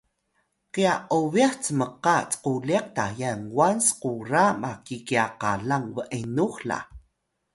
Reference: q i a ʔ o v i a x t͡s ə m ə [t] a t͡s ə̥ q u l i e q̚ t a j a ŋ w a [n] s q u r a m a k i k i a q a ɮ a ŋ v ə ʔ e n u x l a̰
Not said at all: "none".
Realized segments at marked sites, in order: q, n

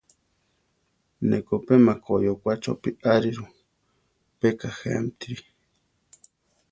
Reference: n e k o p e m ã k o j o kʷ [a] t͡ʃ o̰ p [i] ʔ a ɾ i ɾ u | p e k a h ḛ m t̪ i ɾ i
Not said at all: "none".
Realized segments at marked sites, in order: a, i

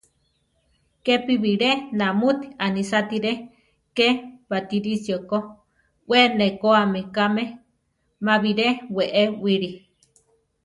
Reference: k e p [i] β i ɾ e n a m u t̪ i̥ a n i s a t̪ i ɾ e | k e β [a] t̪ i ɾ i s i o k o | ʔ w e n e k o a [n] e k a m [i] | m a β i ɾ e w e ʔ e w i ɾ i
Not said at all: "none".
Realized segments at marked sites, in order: i, a, m, e

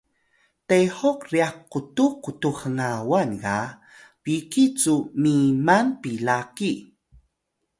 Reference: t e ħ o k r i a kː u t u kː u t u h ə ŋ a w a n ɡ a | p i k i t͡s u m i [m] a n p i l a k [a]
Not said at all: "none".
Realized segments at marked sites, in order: m, i

